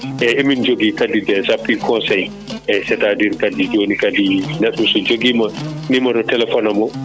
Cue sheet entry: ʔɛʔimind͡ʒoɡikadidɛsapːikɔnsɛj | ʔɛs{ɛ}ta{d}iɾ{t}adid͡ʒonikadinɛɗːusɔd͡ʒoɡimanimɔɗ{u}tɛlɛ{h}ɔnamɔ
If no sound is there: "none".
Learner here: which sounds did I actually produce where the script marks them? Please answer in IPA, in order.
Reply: ɛ, d, k, ɔ, f

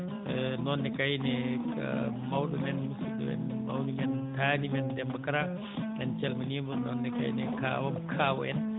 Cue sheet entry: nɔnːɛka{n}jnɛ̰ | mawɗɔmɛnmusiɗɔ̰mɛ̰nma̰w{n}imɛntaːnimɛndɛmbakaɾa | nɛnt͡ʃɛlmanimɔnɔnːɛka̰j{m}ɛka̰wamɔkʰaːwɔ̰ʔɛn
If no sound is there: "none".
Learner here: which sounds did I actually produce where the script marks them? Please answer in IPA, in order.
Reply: none, n, n

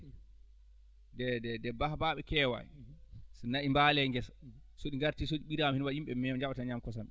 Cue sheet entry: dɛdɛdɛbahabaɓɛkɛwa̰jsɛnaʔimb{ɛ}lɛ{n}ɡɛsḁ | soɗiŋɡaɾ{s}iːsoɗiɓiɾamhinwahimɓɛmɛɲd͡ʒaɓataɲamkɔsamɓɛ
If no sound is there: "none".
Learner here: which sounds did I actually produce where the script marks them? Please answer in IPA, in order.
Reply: a, ŋ, t

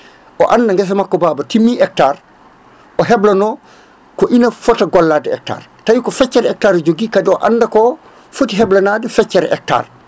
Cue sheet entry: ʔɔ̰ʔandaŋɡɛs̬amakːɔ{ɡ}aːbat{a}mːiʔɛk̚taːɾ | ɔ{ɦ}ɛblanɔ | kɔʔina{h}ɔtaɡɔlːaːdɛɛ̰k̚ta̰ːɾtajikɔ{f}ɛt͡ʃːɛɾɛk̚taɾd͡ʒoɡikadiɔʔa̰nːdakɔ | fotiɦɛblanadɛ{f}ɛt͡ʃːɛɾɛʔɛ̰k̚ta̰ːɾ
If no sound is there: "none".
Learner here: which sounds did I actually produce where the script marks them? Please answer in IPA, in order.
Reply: b, i, ɦ, f, f, f

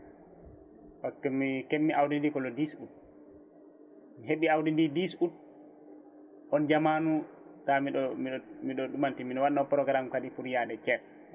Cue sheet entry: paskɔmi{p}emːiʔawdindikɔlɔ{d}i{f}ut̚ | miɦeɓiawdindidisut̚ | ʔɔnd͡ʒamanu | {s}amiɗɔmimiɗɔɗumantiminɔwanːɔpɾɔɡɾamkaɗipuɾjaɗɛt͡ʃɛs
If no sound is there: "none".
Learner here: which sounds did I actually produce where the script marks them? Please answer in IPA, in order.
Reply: k, d, s, t

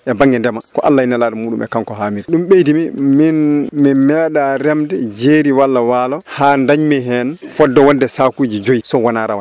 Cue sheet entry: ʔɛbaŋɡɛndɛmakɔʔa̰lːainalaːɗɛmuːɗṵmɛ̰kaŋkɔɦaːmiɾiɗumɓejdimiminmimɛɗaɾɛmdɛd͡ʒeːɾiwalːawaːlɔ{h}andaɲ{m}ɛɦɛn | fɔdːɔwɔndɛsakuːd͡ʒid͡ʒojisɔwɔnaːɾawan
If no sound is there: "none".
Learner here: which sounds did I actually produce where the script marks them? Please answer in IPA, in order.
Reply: h, m

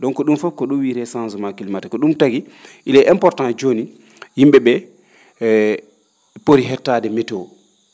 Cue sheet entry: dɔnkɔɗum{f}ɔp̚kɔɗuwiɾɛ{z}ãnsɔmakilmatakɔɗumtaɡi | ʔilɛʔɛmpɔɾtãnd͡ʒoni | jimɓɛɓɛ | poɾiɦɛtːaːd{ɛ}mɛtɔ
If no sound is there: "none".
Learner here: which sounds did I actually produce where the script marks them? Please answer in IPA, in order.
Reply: f, s, ɛ

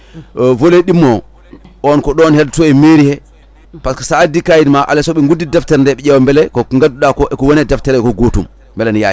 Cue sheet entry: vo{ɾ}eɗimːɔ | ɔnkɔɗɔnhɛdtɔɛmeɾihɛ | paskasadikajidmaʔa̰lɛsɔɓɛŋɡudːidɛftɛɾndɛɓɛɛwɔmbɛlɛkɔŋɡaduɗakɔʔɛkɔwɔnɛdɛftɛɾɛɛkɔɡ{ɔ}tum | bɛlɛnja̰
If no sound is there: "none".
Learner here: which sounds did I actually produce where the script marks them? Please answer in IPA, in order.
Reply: l, o

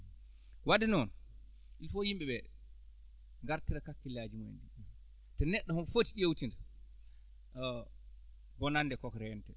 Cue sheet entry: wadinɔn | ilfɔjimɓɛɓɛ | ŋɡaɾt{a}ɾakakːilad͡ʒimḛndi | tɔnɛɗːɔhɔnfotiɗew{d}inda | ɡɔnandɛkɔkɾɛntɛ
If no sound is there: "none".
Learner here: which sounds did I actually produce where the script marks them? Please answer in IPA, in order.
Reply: i, t

